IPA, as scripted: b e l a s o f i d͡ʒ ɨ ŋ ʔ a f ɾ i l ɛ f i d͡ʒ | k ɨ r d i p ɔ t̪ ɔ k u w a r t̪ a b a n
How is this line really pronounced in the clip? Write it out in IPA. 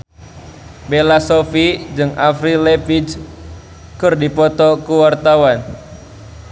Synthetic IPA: b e l a s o f i d͡ʒ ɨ ŋ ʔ a f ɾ i l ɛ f i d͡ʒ | k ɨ r d i p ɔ t̪ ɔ k u w a r t̪ a w a n